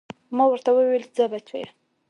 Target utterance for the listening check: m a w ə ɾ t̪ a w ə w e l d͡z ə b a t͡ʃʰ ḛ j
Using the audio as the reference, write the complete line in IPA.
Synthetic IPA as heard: m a w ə ɾ t̪ a w ə w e l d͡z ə b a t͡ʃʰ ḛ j